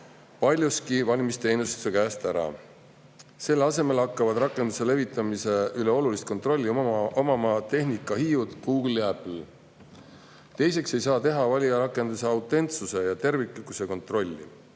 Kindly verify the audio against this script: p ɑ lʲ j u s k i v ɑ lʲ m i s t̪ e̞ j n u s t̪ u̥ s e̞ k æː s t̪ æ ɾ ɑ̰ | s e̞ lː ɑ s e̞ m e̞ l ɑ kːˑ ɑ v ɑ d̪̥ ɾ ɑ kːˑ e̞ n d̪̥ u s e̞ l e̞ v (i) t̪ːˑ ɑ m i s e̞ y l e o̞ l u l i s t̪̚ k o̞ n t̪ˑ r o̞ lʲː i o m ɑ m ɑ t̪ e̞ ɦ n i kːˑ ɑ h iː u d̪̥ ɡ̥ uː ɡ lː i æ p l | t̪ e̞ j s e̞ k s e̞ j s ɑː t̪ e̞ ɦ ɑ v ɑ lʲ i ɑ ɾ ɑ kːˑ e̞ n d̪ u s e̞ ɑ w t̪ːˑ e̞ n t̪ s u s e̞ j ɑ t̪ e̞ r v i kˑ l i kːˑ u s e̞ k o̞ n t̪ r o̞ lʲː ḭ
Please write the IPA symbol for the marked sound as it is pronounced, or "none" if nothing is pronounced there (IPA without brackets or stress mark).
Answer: i